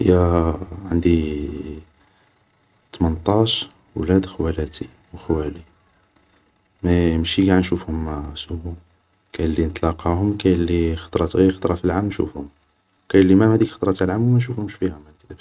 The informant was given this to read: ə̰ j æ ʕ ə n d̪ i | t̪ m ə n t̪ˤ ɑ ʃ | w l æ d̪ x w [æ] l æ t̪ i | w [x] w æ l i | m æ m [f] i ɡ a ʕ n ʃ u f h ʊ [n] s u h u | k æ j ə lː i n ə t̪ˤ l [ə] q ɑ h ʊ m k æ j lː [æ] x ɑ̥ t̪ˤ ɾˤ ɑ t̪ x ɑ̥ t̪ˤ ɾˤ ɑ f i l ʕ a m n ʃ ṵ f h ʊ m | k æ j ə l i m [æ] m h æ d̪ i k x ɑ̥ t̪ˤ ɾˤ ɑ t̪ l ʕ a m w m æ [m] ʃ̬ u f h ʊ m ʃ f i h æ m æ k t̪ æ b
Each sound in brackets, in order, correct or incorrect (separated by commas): correct, correct, incorrect, incorrect, incorrect, incorrect, correct, incorrect